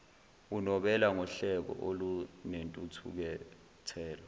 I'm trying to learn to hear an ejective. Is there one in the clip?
yes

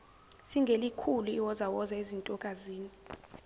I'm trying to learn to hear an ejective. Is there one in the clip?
yes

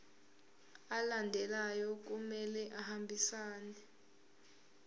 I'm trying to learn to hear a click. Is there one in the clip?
no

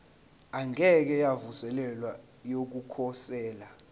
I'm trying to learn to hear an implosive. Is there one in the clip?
no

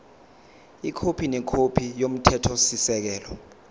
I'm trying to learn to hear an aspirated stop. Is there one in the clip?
yes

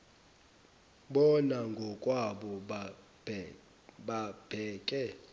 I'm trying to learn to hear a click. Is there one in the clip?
no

